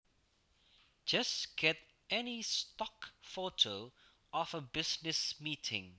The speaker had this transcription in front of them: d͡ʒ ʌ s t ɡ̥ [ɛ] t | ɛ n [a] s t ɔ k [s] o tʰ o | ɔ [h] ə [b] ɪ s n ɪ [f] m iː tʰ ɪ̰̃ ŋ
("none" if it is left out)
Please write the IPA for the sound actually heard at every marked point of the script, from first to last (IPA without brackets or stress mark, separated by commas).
ɛ, i, f, f, b, s